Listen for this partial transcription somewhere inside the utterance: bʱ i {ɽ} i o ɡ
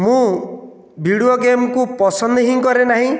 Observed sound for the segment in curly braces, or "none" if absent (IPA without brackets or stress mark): ɽ